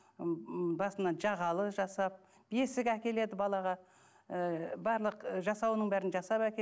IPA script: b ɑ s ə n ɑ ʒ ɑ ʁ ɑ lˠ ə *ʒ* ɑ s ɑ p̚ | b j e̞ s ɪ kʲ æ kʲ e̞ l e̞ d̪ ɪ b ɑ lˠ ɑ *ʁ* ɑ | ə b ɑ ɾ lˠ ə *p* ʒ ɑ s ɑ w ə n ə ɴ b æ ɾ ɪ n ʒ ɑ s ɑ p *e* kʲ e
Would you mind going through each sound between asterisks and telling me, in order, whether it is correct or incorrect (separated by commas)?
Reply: correct, correct, incorrect, incorrect